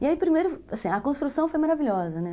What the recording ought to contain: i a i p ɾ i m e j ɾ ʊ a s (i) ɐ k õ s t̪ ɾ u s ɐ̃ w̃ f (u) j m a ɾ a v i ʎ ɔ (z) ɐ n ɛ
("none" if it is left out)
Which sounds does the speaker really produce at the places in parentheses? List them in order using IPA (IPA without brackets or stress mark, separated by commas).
ĩ, o, z